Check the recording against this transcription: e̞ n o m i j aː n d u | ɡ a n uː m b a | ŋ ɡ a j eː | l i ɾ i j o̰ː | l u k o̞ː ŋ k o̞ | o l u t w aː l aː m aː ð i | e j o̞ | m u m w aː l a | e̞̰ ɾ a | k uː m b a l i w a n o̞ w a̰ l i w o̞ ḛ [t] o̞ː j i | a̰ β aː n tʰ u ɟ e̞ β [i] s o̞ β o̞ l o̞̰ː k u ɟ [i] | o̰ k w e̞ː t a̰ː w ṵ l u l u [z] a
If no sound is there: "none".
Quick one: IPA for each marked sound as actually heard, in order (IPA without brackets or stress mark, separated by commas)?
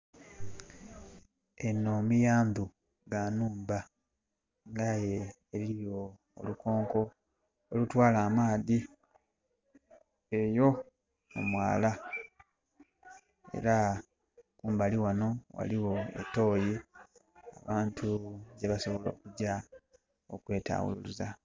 t, a, a, z